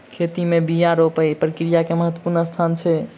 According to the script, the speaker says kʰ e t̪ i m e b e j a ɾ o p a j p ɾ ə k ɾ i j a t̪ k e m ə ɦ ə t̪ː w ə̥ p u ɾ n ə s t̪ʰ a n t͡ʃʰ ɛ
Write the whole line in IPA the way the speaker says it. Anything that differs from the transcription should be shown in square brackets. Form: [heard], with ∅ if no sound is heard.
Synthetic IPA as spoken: kʰ e t̪ i m e b [i] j a ɾ o p [ə] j p ɾ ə k ɾ i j a [∅] k e m ə ɦ ə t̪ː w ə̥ p u ɾ n ə s t̪ʰ a n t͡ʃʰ ɛ